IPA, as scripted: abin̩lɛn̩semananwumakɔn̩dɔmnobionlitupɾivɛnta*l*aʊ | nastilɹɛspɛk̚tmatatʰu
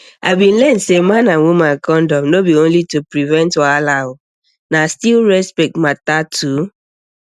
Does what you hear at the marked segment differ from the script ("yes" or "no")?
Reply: no